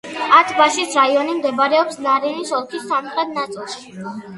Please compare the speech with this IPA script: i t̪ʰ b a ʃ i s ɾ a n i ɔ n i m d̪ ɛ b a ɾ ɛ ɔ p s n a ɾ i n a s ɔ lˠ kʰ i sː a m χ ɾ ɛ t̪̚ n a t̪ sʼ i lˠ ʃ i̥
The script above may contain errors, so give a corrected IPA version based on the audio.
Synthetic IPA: a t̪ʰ b a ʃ i s ɾ a i ɔ n i m d̪ ɛ b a ɾ ɛ ɔ p s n a ɾ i n i s ɔ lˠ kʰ i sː a m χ ɾ ɛ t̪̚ n a t̪ sʼ i lˠ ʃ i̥